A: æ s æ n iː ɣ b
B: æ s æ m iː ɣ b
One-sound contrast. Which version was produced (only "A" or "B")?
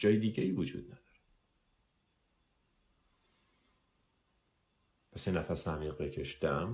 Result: B